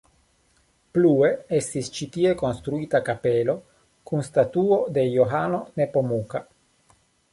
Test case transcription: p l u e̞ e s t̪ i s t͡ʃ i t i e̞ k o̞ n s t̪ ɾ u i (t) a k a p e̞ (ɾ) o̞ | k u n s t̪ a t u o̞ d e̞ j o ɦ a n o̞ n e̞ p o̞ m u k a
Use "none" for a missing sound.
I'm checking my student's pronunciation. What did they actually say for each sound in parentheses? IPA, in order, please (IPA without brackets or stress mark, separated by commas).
t, l